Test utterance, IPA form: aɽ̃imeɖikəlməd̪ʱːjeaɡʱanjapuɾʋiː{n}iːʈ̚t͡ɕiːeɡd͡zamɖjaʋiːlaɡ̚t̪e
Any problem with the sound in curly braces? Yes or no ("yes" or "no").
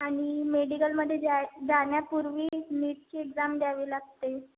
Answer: no